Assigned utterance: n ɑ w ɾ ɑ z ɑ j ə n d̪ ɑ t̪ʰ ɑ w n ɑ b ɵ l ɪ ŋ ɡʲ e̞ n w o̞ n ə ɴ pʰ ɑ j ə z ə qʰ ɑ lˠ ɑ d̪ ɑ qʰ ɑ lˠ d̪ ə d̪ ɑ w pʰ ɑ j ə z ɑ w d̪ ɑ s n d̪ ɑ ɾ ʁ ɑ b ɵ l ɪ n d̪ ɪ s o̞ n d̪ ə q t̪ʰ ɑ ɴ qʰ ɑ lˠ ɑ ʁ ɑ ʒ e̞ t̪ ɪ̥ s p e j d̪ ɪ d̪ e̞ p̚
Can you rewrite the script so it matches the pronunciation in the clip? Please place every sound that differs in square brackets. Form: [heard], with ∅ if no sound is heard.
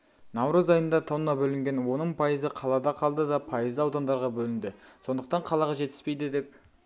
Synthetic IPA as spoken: n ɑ w ɾ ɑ z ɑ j ə n d̪ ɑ t̪ʰ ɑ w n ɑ b ɵ l ɪ ŋ ɡʲ e̞ n w o̞ n ə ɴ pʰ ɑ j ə z ə qʰ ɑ lˠ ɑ d̪ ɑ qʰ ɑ lˠ d̪ ə d̪ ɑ [∅] pʰ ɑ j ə z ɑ w d̪ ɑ [∅] n d̪ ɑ ɾ ʁ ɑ b ɵ l ɪ n d̪ ɪ s o̞ n d̪ ə q [t̪] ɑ ɴ qʰ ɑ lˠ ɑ ʁ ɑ ʒ e̞ t̪ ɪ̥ s p e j d̪ ɪ d̪ e̞ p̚